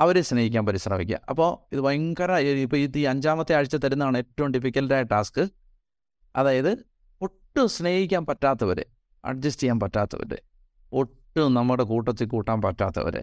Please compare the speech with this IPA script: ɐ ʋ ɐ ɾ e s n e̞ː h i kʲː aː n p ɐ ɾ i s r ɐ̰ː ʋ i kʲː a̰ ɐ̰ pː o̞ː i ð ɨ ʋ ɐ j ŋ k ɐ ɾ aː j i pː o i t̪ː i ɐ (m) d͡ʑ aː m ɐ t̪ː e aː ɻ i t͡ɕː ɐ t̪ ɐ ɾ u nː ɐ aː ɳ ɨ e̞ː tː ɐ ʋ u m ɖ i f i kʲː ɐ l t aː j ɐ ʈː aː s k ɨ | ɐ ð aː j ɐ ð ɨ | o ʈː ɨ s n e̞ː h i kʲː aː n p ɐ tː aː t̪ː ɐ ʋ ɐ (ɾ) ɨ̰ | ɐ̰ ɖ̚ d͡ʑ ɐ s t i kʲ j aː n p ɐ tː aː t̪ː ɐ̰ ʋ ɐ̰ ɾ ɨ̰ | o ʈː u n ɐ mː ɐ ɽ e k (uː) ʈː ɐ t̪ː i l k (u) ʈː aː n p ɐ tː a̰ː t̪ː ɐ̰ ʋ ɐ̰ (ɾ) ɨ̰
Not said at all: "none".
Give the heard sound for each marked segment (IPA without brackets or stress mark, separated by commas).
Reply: ɲ, ɾ, uː, uː, ɾ